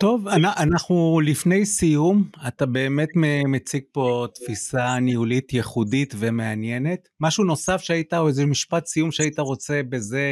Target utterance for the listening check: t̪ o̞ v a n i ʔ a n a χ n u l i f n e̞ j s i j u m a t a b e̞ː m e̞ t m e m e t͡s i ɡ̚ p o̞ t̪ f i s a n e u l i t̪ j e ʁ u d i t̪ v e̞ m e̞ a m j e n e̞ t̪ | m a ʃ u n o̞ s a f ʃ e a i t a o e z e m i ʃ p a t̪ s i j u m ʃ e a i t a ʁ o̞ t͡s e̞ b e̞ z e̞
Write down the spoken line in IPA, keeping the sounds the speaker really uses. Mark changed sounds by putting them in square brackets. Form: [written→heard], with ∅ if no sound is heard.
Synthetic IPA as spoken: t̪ o̞ v a n [i→a] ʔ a n a χ n u l i f n e̞ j s i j u m a t a b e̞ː m e̞ t m e m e t͡s i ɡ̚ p o̞ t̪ f i s a n [e→i] u l i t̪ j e [ʁ→χ] u d i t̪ v e̞ m e̞ a [m→n] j e n e̞ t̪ | m a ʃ u n o̞ s a f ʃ e a i t a o e z e m i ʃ p a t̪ s i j u m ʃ e a i t a ʁ o̞ t͡s e̞ b e̞ z e̞